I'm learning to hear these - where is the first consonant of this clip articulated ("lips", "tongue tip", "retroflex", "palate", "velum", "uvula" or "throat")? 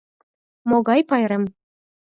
lips